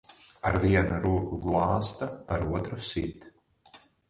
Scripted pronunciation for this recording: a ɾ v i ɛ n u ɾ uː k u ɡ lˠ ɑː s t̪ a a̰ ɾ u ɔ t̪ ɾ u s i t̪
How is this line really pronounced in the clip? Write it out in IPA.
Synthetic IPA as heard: a ɾ v i ɛ n u ɾ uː k u ɡ lˠ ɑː s t̪ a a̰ ɾ u ɔ t̪ ɾ u s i t̪